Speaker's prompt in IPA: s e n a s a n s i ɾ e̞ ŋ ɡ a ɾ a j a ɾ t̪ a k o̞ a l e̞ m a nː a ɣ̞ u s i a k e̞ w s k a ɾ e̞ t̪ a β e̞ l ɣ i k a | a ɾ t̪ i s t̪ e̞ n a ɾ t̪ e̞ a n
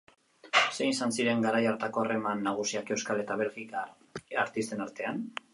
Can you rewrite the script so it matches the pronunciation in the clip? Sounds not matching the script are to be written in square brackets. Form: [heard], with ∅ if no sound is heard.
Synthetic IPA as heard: s e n [i] s a n s i ɾ e̞ ŋ ɡ a ɾ a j a ɾ t̪ a k o̞ a [r] e̞ m a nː a ɣ̞ u s i a k e̞ w s k a [l] e̞ t̪ a β e̞ l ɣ i k a | a ɾ t̪ i s t̪ e̞ n a ɾ t̪ e̞ a n